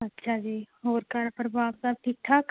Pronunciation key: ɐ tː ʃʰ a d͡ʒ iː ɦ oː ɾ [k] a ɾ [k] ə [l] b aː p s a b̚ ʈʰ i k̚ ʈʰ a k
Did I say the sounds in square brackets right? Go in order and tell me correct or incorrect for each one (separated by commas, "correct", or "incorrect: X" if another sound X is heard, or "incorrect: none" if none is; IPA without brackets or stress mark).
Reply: correct, incorrect: p, incorrect: ɾ